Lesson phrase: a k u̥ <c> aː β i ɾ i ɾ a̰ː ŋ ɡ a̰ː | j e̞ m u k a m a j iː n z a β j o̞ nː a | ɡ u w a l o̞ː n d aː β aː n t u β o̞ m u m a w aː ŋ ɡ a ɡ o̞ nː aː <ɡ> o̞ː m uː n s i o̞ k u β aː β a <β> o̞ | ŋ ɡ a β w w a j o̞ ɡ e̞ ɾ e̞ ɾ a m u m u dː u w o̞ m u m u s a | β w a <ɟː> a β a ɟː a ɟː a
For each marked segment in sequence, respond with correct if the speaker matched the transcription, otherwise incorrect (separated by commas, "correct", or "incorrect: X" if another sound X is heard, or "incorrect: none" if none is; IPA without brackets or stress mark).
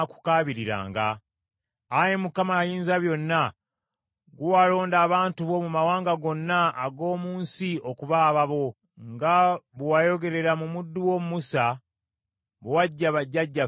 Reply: incorrect: k, correct, correct, correct